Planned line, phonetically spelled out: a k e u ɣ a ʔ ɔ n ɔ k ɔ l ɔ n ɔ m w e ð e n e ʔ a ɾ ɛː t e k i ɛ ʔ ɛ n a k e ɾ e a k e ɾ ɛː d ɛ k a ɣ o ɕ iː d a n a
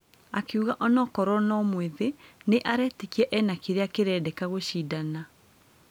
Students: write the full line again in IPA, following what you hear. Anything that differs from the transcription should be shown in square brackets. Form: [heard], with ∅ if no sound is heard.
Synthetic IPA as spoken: a k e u ɣ a ʔ ɔ n ɔ k ɔ [ɾ] ɔ n ɔ m w e ð e n e ʔ a ɾ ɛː t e k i ɛ ʔ ɛ n a k e ɾ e a k e ɾ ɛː d ɛ k a ɣ o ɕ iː d a n a